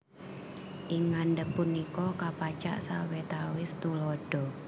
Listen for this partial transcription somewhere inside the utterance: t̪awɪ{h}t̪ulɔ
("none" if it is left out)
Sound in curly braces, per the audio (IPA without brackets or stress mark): s